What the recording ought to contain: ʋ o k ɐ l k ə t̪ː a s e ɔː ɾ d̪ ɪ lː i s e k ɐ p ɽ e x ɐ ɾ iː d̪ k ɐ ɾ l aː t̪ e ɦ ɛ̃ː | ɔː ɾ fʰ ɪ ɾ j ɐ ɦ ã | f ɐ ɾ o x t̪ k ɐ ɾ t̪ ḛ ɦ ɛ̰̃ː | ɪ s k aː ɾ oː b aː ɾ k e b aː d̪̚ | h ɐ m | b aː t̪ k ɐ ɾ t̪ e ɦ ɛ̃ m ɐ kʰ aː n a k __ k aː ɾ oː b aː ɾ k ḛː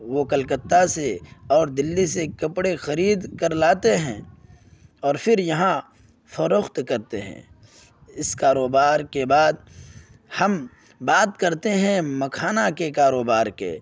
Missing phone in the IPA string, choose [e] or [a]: e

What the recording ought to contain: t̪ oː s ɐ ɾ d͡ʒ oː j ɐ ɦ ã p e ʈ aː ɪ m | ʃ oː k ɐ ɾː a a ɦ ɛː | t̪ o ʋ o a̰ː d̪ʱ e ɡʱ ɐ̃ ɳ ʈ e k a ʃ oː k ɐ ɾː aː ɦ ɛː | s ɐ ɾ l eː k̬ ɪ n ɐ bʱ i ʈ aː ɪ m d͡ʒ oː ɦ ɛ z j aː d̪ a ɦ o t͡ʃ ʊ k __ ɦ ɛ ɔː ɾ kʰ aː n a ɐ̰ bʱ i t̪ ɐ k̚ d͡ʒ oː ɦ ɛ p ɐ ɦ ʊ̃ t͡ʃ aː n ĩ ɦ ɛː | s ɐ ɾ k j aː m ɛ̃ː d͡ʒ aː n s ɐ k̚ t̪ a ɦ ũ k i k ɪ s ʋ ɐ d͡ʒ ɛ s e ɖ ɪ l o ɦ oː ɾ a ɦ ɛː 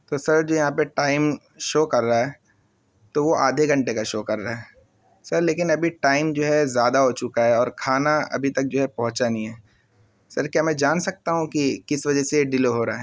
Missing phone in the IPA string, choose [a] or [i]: a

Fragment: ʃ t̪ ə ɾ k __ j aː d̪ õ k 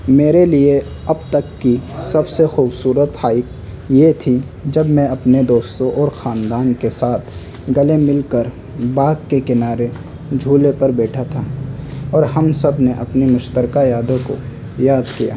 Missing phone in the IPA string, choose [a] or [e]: a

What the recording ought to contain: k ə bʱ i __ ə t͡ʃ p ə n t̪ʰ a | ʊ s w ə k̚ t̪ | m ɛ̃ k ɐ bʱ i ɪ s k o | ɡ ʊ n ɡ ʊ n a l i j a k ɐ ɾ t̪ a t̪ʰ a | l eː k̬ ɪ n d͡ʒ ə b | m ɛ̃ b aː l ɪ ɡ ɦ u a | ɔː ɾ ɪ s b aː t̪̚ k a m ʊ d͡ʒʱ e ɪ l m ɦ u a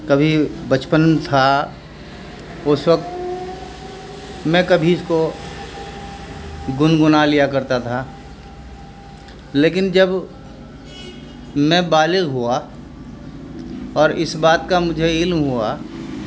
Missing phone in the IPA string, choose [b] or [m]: b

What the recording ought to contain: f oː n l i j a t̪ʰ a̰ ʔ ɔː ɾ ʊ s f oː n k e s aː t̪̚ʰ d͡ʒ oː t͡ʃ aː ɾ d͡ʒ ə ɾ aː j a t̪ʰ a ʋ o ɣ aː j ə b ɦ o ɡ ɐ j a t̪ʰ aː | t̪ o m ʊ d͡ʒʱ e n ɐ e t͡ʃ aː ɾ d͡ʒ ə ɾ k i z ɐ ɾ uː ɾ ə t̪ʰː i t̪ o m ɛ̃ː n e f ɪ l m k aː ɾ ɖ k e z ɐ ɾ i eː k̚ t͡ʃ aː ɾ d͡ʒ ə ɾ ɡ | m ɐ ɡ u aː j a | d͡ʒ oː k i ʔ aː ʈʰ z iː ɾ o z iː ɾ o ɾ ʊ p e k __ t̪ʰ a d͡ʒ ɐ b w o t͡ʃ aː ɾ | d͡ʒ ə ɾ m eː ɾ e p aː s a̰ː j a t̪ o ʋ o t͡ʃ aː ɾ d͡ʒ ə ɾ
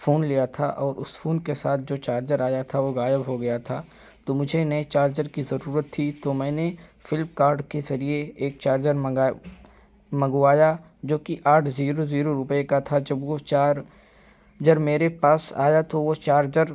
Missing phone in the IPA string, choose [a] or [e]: a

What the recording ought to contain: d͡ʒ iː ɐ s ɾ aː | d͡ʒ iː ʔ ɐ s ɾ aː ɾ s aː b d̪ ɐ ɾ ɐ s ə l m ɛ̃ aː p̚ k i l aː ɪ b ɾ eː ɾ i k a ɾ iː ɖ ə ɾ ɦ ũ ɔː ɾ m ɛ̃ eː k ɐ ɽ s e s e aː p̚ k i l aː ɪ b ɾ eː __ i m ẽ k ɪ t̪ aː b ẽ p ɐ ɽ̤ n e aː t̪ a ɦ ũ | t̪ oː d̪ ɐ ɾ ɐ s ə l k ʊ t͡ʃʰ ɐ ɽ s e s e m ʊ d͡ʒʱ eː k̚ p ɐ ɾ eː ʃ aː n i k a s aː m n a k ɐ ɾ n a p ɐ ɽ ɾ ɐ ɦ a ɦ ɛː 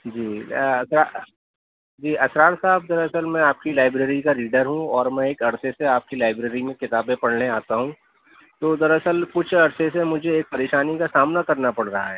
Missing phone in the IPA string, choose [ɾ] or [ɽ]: ɾ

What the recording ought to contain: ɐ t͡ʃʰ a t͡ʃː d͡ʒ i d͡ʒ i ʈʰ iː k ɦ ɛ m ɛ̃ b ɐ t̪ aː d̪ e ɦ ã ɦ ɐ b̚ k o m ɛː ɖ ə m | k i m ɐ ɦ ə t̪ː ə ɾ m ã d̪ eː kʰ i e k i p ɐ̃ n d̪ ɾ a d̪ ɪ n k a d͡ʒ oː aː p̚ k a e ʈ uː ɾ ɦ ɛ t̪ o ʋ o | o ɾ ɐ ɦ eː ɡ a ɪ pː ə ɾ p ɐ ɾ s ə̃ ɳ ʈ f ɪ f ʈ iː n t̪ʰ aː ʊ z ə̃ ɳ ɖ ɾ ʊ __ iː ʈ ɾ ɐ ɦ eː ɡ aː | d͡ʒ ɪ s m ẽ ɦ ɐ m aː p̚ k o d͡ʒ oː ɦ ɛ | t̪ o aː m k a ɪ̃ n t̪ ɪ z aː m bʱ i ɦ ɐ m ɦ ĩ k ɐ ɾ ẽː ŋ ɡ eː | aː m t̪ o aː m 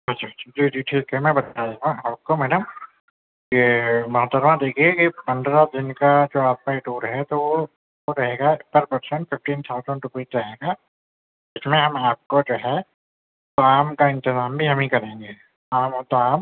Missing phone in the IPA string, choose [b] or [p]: p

